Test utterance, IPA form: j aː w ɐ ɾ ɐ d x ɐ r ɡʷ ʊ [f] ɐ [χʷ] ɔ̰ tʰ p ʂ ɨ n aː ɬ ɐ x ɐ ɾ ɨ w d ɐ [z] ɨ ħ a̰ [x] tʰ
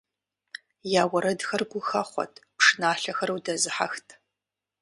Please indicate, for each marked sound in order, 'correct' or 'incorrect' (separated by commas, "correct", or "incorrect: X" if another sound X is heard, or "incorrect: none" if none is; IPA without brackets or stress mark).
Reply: incorrect: x, correct, correct, correct